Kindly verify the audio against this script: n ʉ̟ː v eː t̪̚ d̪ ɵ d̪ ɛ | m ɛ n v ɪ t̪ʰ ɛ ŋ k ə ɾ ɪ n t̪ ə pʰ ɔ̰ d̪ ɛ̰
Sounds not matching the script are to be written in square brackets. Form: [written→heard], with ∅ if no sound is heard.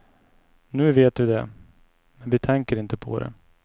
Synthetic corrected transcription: n ʉ̟ː v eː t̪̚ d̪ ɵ d̪ ɛ | m ɛ n v ɪ t̪ʰ ɛ ŋ k ə ɾ ɪ n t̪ ə pʰ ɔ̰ d̪ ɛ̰